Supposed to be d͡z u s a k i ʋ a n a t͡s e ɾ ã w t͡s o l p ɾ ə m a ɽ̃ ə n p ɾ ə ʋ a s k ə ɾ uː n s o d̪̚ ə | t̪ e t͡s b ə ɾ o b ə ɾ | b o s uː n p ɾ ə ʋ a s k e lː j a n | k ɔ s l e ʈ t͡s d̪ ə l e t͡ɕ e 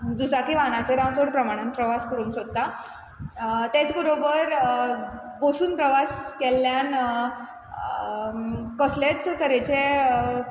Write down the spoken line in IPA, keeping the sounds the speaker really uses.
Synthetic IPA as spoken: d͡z u s a k i ʋ a n a t͡s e ɾ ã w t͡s o ɽ p ɾ ə m a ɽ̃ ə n p ɾ ə ʋ a s k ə ɾ uː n s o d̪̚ a | t̪ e t͡s b ə ɾ o b ə ɾ | b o s uː n p ɾ ə ʋ a s k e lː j a n | k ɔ s l e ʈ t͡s t̪ ə ɾ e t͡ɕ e